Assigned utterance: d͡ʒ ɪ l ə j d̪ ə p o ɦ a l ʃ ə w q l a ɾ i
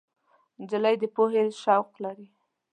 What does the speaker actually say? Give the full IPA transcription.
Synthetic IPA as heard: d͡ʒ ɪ l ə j d̪ ə p o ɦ e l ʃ a w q l a ɾ i